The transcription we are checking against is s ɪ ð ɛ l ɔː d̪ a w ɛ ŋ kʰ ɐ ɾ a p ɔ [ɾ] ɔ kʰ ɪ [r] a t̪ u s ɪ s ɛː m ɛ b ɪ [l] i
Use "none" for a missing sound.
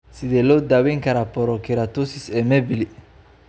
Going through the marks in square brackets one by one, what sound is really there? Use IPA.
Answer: ɾ, ɾ, l

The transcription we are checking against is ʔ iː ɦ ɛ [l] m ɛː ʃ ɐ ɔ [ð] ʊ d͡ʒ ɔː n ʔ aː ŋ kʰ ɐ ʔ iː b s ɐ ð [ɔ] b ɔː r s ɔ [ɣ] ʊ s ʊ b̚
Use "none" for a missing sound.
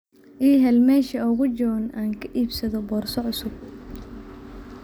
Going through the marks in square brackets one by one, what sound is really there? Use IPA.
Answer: l, ɣ, ɔ, ʕ

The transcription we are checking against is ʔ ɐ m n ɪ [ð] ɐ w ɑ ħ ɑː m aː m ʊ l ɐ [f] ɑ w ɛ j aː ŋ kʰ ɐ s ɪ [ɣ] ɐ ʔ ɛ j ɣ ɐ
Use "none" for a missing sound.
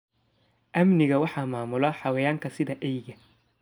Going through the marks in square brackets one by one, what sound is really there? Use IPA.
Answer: ɣ, ħ, ð

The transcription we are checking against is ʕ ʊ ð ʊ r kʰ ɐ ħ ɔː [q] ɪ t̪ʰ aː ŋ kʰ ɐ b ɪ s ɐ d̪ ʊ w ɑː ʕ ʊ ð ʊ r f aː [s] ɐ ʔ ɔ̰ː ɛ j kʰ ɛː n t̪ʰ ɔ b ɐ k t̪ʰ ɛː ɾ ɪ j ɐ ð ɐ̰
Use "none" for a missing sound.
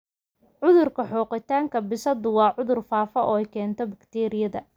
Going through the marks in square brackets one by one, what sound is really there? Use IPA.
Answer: q, f

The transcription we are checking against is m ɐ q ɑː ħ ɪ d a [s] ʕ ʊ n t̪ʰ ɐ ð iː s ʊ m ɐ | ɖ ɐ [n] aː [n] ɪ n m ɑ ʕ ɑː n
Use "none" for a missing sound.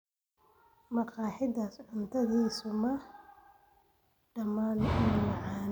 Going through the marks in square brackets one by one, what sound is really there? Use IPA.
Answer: s, m, n

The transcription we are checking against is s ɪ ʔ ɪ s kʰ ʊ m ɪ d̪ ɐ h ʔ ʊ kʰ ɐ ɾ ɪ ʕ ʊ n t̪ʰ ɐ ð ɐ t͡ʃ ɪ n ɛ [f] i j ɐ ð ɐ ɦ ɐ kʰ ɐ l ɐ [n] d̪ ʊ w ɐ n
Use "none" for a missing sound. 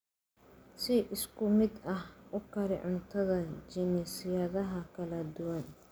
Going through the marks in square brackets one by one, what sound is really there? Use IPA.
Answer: s, none

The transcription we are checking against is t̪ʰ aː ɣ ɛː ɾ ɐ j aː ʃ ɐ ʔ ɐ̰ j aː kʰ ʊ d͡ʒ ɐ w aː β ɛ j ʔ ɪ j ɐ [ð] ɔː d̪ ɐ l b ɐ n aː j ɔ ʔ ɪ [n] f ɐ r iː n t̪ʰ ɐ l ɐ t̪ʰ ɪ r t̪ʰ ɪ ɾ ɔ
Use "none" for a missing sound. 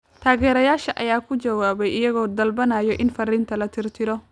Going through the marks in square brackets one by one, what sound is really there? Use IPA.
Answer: ɣ, n

